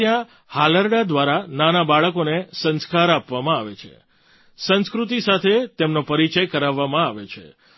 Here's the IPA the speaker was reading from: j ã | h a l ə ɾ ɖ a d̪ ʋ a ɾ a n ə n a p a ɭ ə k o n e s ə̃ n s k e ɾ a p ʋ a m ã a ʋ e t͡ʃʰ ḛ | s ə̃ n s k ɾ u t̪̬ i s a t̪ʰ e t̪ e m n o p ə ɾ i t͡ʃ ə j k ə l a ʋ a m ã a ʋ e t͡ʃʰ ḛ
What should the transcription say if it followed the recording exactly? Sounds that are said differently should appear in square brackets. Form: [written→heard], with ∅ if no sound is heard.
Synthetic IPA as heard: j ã | h a l ə ɾ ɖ a d̪ ʋ a ɾ a n [ə→a] n a [p→b] a ɭ ə k o n e s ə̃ n s k [e→a] ɾ a p ʋ a m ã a ʋ e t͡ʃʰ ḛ | s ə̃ n s k ɾ u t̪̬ i s a t̪ʰ e t̪ e m n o p ə ɾ i t͡ʃ ə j k ə [l→ɾ] a [ʋ→ʋː] a m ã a ʋ e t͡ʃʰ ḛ

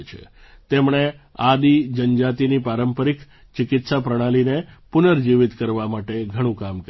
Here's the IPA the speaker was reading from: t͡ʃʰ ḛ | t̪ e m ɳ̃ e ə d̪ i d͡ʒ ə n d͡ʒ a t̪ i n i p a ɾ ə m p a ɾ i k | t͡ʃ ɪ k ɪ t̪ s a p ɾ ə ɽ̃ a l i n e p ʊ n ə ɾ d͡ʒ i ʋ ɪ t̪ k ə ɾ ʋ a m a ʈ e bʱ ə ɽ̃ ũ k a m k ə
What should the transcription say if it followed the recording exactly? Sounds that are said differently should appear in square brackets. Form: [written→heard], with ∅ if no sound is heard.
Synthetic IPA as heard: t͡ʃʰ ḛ | t̪ e m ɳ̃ e [ə→a] d̪ i d͡ʒ ə n d͡ʒ a t̪ i n i p a ɾ ə m p [a→ə] ɾ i k | t͡ʃ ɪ k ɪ t̪ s a p ɾ ə ɽ̃ a l i n e p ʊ n ə ɾ d͡ʒ i ʋ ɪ t̪ k ə ɾ ʋ a m a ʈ e [bʱ→ɡʱ] ə ɽ̃ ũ k a m k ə

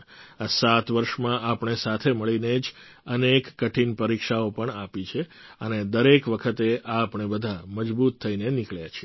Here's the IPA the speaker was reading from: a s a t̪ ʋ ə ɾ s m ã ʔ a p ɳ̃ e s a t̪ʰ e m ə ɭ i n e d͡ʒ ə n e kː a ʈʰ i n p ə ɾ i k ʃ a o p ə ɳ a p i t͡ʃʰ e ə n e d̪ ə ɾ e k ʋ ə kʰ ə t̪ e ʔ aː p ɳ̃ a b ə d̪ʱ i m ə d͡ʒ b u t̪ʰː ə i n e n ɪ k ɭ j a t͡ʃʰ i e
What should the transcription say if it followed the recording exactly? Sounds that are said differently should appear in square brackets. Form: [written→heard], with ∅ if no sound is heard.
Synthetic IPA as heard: a s a t̪ ʋ ə ɾ [s→ʃ] m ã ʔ a p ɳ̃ e s a t̪ʰ e m ə ɭ i n e d͡ʒ ə n e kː [a→ə] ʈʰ i n p ə ɾ i k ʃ a o p ə ɳ a p i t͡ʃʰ e ə n e d̪ ə ɾ e k ʋ ə kʰ ə t̪ e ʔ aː p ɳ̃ [a→e] b ə d̪ʱ [i→a] m ə d͡ʒ b u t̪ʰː ə i n e n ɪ k ɭ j a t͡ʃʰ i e

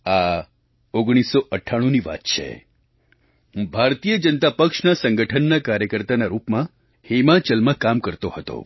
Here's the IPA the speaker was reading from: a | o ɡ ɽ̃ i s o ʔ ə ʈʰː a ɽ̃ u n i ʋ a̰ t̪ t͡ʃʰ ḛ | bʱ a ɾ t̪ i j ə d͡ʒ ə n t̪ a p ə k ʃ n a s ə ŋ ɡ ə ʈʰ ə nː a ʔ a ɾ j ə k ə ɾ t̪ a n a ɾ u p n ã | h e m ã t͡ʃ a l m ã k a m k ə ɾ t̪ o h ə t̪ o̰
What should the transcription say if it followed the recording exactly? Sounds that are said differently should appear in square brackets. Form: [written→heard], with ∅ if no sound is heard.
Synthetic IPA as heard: a | o ɡ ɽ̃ i s o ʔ ə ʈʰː a ɽ̃ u n i ʋ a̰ t̪ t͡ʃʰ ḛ | bʱ a ɾ t̪ i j ə d͡ʒ ə n t̪ a p ə k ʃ n a s ə ŋ ɡ ə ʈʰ ə nː a [ʔ→k] a ɾ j ə k ə ɾ t̪ a n a ɾ u p [n→m] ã | h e m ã t͡ʃ [a→ə] l m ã k a m k ə ɾ t̪ o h ə t̪ o̰

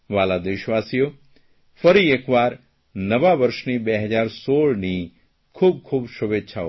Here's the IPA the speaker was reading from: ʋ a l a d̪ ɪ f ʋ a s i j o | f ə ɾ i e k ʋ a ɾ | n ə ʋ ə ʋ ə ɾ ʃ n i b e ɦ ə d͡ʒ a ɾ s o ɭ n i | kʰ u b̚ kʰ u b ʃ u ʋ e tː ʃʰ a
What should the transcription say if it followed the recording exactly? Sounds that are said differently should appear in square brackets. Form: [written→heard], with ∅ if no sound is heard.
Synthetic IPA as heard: ʋ a l a d̪ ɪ [f→ʃ] ʋ a s i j o | f ə ɾ i e k ʋ a ɾ | n ə ʋ [ə→a] ʋ ə ɾ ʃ n i b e ɦ ə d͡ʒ a ɾ s o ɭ n i | kʰ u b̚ kʰ u b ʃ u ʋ e tː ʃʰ a

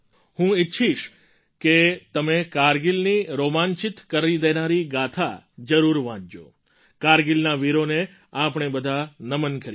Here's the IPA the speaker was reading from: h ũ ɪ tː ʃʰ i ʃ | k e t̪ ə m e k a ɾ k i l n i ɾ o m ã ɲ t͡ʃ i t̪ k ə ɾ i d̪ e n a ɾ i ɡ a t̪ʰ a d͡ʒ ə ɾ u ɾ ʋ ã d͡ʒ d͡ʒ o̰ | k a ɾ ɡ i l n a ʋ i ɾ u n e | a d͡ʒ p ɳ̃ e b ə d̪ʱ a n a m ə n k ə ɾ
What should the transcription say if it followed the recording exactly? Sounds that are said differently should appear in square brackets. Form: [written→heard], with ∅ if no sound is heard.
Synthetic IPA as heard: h ũ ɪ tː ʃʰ i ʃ | k e t̪ ə m e k a ɾ [k→ɡ] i l n i ɾ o m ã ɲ t͡ʃ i t̪ k ə ɾ i d̪ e n a ɾ i ɡ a t̪ʰ a d͡ʒ ə ɾ u ɾ ʋ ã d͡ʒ d͡ʒ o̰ | k a ɾ ɡ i l n a ʋ i ɾ [u→o] n e | a [d͡ʒ→∅] p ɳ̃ e b ə d̪ʱ a n [a→ə] m ə n k ə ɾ

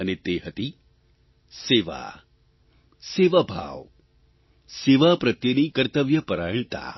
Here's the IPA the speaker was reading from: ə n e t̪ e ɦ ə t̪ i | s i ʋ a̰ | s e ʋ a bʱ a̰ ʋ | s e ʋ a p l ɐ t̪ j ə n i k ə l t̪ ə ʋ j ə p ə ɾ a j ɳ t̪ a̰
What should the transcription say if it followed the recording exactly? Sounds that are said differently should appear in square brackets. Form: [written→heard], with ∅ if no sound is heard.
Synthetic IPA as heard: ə n e t̪ e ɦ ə t̪ i | s [i→e] ʋ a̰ | s e ʋ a bʱ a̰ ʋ | s e ʋ a p [l→ɾ] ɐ t̪ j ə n i k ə [l→ɾ] t̪ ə ʋ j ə p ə ɾ a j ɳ t̪ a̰

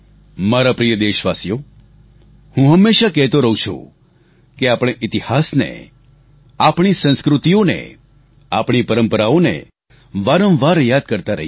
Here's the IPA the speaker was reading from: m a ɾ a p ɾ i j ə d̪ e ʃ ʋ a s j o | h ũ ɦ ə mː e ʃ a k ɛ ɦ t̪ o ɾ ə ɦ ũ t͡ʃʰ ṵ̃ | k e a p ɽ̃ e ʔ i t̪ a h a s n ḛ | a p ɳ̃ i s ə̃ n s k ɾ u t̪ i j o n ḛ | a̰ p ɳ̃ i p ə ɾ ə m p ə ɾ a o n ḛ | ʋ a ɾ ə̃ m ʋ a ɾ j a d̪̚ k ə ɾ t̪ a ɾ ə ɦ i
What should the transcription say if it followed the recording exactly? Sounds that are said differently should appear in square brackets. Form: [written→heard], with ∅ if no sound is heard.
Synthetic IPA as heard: m a ɾ a p ɾ i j ə d̪ e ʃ ʋ a s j o | h ũ ɦ ə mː e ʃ a k ɛ ɦ t̪ o ɾ ə ɦ ũ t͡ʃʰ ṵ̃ | k e a p ɽ̃ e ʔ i t̪ [a→i] h a s n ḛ | a p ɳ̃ i s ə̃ n s k ɾ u t̪ i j o n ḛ | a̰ p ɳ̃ i p ə ɾ ə m p ə ɾ a o n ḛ | ʋ a ɾ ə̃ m ʋ a ɾ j a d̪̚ k ə ɾ t̪ a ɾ ə ɦ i

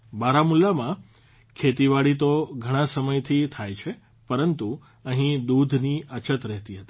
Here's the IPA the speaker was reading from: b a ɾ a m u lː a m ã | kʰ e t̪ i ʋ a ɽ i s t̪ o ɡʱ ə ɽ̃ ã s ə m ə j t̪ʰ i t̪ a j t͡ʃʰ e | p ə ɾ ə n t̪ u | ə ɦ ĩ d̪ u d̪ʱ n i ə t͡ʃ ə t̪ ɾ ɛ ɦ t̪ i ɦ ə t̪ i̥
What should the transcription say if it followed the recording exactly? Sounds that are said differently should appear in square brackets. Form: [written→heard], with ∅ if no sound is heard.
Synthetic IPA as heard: b a ɾ a m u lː a m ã | kʰ e t̪ i ʋ a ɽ i [s→∅] t̪ o ɡʱ ə ɽ̃ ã s ə m ə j t̪ʰ i [t̪→t̪ʰ] a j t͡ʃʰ e | p ə ɾ ə n t̪ u | ə ɦ ĩ d̪ u d̪ʱ n i ə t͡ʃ ə t̪ ɾ ɛ ɦ t̪ i ɦ ə t̪ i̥

